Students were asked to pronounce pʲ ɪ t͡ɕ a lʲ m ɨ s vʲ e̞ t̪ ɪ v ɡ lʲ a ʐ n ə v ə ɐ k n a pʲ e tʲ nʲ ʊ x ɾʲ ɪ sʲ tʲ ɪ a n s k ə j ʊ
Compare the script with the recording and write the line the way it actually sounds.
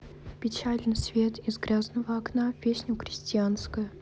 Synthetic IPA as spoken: pʲ ɪ t͡ɕ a lʲ n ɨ s vʲ e̞ t̪ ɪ z ɡ ɾʲ a z n ə v ə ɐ k n a pʲ e sʲ nʲ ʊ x ɾʲ ɪ sʲ tʲ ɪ a n s k ə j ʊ